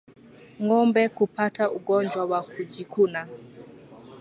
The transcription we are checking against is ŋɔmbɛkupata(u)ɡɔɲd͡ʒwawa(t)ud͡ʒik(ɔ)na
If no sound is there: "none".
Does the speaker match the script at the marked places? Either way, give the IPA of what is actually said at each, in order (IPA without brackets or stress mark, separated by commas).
u, k, u